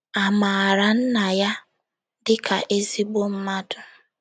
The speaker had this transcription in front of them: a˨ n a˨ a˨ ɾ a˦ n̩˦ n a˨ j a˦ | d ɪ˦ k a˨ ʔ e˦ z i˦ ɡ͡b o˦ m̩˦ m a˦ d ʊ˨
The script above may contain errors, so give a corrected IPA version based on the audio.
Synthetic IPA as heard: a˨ m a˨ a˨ ɾ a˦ n̩˦ n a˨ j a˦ | d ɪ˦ k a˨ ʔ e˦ z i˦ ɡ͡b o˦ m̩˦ m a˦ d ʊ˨